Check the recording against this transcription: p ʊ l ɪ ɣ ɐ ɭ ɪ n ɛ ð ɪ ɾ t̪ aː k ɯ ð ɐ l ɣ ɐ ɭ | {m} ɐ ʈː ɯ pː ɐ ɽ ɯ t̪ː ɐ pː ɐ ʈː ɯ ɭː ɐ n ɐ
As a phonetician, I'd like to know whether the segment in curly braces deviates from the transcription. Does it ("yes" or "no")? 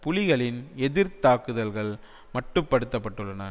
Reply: no